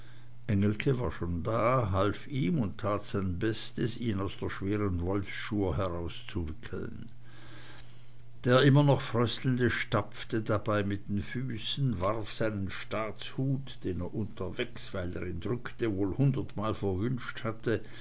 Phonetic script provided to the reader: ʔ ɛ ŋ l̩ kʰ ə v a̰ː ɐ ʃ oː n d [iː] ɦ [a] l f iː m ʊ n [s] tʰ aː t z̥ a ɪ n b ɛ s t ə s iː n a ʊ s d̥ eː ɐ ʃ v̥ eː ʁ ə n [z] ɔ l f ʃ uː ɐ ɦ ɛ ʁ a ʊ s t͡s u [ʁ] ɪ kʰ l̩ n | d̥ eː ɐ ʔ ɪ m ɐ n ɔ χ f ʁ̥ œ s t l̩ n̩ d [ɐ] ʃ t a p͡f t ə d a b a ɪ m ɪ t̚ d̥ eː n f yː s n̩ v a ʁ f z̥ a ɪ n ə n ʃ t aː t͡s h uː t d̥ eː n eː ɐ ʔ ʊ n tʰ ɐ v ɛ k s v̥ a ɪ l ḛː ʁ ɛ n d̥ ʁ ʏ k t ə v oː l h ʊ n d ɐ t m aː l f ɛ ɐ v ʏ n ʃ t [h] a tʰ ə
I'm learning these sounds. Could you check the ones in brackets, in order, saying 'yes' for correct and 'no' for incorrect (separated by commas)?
no, yes, no, no, no, no, yes